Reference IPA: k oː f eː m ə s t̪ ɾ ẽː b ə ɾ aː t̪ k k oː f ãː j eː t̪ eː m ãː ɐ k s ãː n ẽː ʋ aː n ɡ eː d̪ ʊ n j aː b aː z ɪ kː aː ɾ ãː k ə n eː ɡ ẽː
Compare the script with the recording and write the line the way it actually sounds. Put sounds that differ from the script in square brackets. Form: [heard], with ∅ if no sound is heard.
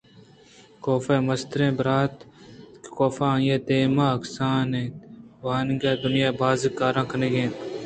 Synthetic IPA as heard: k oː f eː m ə s t̪ ɾ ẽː b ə ɾ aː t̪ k k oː f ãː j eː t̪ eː m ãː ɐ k s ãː n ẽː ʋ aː n ɡ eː d̪ ʊ n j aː b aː z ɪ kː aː ɾ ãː k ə n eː ɡ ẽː